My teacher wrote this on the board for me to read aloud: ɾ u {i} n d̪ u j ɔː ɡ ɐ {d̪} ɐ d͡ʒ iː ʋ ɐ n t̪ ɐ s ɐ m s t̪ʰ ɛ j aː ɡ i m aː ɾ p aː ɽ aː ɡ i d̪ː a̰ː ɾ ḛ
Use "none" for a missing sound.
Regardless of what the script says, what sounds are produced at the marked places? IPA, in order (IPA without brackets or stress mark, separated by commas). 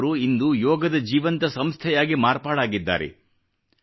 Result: i, d̪